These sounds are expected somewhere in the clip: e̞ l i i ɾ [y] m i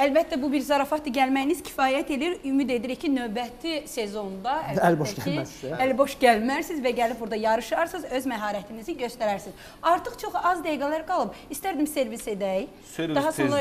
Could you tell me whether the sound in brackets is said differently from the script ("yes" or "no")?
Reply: no